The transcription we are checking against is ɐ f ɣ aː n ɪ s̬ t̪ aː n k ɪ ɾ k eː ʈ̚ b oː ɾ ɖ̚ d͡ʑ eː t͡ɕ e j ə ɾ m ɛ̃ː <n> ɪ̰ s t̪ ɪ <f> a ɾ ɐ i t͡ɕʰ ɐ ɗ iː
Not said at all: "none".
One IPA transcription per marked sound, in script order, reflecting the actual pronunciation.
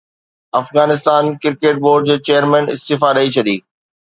n, f

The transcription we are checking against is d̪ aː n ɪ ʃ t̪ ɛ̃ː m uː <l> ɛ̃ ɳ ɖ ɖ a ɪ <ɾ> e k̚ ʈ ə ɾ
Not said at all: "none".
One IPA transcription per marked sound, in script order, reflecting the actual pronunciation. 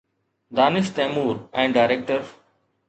ɾ, ɾ

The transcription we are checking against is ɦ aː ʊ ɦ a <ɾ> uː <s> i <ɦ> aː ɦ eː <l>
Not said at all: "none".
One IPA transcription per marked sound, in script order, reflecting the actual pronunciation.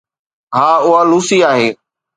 l, s, none, none

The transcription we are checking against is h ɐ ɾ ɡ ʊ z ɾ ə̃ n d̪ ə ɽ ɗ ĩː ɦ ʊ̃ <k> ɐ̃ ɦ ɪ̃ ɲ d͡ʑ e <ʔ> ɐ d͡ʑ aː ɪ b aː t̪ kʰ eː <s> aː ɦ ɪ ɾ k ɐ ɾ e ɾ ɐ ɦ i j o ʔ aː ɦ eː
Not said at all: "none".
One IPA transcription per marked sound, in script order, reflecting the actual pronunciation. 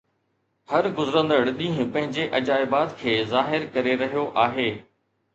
p, ʔ, z

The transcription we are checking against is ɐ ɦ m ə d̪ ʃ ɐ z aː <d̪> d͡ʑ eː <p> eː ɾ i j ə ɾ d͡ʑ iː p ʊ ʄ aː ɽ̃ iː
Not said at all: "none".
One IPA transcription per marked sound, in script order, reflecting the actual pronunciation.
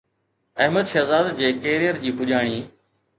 d̪, k

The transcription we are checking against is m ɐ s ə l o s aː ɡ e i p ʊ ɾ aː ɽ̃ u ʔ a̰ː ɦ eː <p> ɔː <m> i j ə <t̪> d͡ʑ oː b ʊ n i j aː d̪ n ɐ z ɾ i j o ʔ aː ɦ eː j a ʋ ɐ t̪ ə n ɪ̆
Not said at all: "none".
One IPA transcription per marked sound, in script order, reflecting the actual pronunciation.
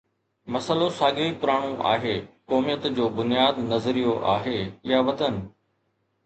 k, m, t̪

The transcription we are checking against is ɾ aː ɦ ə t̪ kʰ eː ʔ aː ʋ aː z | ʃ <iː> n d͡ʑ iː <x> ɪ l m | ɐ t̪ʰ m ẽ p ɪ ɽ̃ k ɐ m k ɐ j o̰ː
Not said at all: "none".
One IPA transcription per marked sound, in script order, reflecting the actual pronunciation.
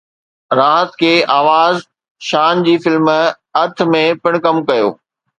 aː, f

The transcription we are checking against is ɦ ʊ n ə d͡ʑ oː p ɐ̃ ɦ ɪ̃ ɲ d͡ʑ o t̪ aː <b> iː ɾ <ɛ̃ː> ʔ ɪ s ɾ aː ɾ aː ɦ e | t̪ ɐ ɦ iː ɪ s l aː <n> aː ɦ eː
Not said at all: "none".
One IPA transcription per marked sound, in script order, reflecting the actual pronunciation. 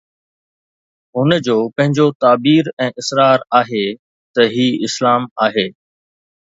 b, ɛ̃ː, m

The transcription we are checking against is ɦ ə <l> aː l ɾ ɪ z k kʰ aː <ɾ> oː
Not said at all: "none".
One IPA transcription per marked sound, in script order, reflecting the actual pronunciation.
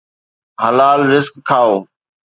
l, none

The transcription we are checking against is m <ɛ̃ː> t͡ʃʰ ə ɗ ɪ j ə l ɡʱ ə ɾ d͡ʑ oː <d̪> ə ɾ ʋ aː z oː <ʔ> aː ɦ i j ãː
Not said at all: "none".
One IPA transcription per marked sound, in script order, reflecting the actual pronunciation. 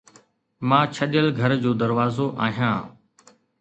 ãː, d̪, ʔ

